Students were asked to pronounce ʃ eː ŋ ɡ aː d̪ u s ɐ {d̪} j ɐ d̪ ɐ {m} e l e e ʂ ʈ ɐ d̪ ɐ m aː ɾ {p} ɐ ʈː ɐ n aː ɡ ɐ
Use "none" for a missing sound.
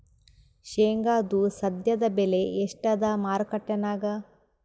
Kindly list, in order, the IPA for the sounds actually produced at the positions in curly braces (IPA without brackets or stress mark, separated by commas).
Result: d̪, b, k